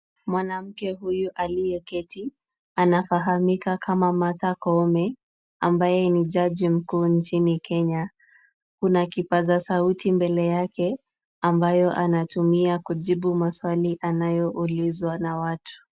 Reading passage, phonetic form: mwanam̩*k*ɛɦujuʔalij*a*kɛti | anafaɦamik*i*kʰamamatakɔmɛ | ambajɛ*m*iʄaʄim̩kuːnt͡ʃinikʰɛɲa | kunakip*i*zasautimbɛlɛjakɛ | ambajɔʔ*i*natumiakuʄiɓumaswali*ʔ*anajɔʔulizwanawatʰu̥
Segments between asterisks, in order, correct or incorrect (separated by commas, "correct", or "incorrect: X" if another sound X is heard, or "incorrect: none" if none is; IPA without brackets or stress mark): correct, incorrect: ɛ, incorrect: a, incorrect: n, incorrect: a, incorrect: a, correct